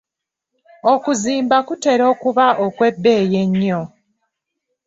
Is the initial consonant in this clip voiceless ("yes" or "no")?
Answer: yes